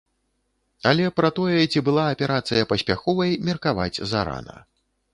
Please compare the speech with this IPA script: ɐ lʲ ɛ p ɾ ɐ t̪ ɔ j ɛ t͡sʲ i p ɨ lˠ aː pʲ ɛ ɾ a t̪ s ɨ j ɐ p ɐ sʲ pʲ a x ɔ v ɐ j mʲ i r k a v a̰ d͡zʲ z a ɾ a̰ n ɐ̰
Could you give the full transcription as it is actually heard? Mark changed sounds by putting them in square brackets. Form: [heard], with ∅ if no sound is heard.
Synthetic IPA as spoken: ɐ lʲ ɛ p ɾ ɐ t̪ ɔ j ɛ t͡sʲ i [b] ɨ lˠ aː pʲ ɛ ɾ a t̪ s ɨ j ɐ p ɐ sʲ pʲ a x ɔ v ɐ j mʲ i r k a v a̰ d͡zʲ z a ɾ a̰ n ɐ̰